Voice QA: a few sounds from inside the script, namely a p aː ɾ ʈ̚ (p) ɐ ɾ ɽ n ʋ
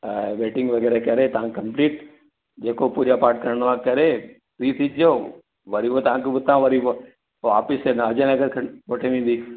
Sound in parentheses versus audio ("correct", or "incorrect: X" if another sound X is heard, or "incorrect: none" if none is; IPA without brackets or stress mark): incorrect: k